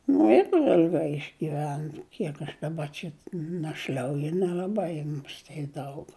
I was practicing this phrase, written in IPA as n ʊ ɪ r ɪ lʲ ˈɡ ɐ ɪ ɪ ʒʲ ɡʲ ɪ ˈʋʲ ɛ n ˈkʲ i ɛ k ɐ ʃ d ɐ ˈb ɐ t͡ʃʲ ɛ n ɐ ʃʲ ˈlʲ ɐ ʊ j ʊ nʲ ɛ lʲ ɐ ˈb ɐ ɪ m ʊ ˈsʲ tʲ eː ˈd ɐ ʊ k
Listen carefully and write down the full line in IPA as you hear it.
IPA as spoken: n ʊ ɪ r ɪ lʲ ˈɡ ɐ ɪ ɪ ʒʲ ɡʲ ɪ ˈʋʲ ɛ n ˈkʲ i ɛ k ɐ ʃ d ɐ ˈb ɐ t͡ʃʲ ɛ n ɐ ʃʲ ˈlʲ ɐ ʊ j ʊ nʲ ɛ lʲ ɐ ˈb ɐ ɪ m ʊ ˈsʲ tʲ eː ˈd ɐ ʊ k